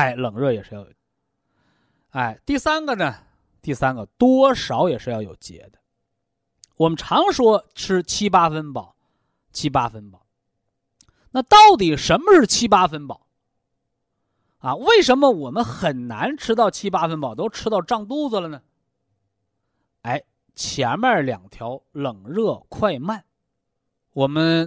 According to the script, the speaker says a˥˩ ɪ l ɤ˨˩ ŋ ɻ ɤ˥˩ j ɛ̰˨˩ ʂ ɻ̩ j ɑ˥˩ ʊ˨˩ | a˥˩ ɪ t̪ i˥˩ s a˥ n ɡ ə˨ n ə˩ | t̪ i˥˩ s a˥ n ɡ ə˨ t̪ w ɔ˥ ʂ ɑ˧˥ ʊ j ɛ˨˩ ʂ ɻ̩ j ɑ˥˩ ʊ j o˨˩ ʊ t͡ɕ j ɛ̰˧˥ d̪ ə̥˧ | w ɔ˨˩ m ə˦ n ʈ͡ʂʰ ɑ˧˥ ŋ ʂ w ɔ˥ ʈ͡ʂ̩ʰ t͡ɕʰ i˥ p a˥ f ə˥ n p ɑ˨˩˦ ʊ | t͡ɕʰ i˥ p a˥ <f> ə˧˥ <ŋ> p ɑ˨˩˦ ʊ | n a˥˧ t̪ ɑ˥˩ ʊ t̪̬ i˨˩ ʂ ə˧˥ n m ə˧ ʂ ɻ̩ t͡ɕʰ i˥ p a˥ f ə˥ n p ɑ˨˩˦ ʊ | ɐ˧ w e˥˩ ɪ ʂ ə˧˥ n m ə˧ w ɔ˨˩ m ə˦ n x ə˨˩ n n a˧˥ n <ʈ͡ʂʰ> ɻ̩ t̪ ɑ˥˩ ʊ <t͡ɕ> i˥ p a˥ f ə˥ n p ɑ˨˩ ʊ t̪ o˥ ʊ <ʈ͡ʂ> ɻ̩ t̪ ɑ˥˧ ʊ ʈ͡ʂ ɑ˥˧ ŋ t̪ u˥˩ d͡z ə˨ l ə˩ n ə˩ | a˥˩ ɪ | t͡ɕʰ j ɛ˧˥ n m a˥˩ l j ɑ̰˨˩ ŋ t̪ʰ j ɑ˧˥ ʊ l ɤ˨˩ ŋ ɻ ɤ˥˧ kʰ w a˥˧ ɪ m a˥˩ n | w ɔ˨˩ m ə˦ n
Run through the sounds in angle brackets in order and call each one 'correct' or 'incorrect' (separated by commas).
correct, incorrect, correct, incorrect, incorrect